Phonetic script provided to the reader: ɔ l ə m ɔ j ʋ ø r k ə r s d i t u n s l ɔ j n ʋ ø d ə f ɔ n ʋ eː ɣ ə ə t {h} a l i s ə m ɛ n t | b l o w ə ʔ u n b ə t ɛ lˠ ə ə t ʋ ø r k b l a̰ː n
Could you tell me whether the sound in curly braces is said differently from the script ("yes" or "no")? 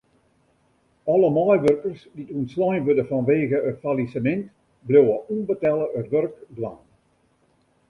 yes